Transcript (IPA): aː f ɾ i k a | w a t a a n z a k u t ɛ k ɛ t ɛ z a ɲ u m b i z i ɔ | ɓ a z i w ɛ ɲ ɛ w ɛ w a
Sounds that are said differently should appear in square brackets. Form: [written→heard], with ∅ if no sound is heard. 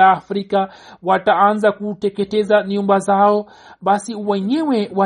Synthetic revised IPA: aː f ɾ i k a | w a t a a n z a k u t ɛ k ɛ t ɛ z a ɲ u m b [i→a] z [i→a] ɔ | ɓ a [z→s] i w ɛ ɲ ɛ w ɛ w a